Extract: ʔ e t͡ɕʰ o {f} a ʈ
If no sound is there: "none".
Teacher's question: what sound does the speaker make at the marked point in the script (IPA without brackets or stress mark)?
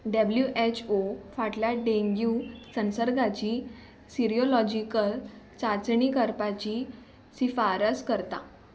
f